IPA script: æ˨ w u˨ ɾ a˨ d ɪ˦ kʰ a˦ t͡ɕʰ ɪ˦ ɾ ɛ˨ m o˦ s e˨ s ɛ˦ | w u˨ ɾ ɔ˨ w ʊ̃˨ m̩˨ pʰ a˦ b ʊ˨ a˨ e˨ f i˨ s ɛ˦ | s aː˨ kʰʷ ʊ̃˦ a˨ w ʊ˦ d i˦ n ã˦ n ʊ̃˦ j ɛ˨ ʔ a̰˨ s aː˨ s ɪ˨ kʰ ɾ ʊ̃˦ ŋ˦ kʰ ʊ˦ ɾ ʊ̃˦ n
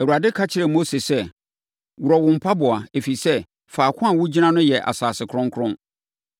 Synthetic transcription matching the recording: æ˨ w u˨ ɾ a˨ d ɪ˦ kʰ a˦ t͡ɕʰ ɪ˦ ɾ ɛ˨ m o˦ s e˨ s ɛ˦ | w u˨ ɾ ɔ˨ w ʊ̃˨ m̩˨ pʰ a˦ b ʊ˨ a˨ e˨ f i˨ s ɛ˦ | f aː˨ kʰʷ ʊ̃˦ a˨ w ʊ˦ d͡ʑ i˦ n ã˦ n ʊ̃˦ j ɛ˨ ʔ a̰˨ s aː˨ s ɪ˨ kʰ ɾ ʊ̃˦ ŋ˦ kʰ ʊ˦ ɾ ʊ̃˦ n